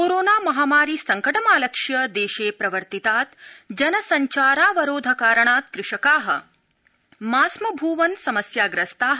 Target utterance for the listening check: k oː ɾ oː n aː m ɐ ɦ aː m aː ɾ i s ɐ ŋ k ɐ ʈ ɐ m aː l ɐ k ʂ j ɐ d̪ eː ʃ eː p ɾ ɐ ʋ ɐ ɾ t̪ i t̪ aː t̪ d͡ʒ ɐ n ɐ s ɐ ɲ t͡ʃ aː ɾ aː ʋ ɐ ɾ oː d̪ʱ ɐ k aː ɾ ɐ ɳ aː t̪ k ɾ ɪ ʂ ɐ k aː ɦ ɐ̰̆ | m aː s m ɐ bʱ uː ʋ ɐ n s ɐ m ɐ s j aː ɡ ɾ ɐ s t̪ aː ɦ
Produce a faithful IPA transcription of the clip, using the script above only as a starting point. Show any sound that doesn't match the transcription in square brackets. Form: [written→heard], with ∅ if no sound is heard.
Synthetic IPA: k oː ɾ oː n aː m ɐ ɦ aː m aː ɾ i s ɐ ŋ k ɐ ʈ ɐ m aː l ɐ k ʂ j ɐ d̪ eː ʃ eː p ɾ ɐ ʋ ɐ ɾ t̪ i t̪ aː t̪ d͡ʒ ɐ n ɐ s ɐ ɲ t͡ʃ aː ɾ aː ʋ ɐ ɾ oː d̪ʱ ɐ k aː ɾ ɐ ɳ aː t̪ k ɾ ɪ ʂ ɐ k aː ɦ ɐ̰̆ | m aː s m ɐ bʱ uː ʋ ɐ n s ɐ m ɐ s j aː ɡ ɾ ɐ s t̪ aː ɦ